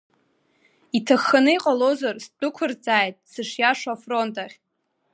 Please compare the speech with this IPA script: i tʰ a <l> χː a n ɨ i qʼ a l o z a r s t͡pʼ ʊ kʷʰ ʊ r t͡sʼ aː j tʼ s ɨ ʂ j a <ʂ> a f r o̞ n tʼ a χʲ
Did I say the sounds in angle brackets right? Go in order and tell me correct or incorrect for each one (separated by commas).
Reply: incorrect, correct